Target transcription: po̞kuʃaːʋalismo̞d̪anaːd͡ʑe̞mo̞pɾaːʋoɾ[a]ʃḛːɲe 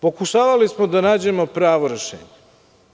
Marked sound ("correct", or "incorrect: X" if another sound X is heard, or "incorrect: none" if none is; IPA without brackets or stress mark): incorrect: e